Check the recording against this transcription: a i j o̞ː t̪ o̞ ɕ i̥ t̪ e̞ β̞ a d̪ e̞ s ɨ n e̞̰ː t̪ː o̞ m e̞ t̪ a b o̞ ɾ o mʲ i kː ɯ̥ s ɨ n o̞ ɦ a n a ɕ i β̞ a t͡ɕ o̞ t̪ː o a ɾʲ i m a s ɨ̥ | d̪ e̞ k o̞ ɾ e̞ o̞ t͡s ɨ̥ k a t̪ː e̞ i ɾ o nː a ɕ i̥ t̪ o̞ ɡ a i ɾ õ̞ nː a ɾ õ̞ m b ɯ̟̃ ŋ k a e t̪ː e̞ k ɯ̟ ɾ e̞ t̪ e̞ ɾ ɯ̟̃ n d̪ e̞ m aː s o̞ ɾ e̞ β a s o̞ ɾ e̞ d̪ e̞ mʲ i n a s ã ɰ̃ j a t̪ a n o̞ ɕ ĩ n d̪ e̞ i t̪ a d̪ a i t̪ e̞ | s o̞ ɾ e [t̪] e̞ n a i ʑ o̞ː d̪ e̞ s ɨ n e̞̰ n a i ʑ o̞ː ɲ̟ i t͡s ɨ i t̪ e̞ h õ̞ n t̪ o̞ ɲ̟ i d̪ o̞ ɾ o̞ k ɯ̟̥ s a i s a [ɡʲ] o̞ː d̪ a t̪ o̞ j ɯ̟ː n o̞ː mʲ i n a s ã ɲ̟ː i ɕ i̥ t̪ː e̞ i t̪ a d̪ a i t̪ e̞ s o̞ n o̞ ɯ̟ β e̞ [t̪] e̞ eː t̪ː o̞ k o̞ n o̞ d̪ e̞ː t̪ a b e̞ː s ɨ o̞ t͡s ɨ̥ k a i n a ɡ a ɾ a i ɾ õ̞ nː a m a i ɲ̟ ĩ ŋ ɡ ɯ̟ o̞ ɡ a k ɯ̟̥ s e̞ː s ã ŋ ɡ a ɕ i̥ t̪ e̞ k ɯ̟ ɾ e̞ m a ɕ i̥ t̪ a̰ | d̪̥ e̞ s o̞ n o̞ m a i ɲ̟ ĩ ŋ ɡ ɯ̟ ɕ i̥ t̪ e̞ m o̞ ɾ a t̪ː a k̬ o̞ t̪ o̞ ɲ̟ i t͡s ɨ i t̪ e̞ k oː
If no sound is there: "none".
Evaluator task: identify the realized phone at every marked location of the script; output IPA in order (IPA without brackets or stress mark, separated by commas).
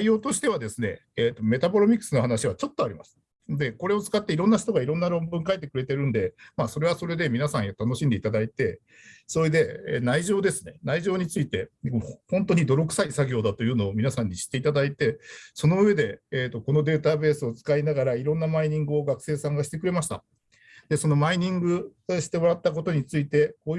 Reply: d̪, ɡʲ, d̪